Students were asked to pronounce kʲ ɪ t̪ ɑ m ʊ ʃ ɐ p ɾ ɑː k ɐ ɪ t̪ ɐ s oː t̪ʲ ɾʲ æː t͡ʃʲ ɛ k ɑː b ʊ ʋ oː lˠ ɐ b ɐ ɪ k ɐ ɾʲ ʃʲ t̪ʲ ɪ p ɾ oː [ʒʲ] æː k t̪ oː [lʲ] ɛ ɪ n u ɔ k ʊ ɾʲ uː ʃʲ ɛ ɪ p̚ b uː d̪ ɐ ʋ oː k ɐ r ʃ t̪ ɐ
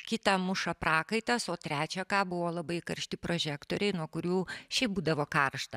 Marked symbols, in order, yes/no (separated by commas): yes, no